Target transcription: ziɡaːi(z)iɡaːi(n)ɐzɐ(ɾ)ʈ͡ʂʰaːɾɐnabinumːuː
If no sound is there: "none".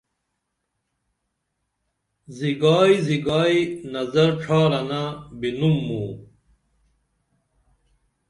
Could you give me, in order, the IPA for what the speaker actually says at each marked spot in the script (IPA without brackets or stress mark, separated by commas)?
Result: z, n, ɾ